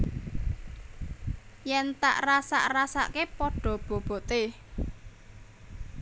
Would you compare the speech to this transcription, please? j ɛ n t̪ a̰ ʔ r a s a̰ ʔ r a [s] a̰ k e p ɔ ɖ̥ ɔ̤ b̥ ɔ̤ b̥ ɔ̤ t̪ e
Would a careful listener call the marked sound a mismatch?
no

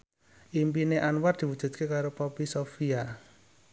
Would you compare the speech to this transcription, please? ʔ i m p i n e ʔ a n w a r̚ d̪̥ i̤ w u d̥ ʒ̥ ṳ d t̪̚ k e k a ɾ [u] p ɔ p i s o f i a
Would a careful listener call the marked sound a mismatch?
yes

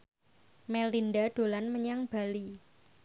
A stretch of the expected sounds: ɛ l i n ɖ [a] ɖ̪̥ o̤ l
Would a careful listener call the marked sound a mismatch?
no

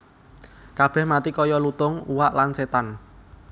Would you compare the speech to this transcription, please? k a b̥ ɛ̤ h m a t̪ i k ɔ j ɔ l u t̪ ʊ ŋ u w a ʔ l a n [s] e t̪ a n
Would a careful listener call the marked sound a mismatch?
no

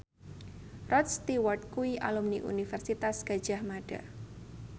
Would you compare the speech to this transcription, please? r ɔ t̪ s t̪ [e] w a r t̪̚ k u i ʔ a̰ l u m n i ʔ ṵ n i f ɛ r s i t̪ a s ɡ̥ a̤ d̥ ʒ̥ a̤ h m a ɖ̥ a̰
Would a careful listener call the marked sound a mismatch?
yes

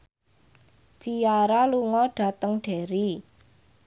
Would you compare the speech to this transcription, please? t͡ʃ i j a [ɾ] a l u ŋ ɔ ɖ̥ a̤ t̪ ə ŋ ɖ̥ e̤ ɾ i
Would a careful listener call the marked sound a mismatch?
no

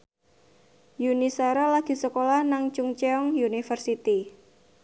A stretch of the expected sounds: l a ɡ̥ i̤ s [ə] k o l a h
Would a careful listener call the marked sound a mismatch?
no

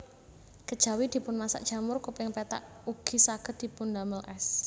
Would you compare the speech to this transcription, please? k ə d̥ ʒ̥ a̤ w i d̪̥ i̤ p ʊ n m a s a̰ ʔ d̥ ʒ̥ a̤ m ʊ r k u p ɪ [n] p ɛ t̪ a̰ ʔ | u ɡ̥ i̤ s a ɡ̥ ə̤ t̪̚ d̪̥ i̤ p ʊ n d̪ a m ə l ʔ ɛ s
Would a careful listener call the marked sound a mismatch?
yes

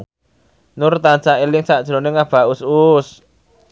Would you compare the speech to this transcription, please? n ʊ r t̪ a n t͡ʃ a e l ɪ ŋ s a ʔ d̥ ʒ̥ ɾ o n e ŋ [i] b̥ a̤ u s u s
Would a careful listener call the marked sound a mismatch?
yes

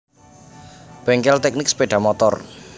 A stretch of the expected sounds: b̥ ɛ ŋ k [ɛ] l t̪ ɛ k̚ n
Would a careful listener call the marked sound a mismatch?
no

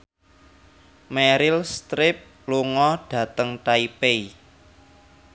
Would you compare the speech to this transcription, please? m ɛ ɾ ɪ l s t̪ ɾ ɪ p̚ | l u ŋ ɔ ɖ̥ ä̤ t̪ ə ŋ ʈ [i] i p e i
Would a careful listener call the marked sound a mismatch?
yes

